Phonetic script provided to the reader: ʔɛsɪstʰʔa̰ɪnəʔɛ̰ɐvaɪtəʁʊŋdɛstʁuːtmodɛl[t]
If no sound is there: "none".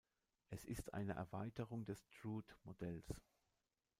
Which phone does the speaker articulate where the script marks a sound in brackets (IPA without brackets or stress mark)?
s